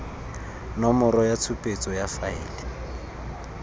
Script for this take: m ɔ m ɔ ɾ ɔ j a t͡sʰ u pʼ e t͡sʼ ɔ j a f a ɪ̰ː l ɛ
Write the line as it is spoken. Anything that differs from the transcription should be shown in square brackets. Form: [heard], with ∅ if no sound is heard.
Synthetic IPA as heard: [n] ɔ m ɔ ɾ ɔ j a t͡sʰ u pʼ e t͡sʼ ɔ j a f a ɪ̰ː l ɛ